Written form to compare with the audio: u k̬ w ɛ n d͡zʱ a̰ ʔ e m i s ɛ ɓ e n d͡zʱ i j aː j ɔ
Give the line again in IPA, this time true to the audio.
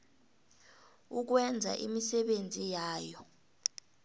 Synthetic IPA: u k̬ w ɛ n d͡zʱ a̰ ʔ i m i s ɛ ɓ e n d͡zʱ i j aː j ɔ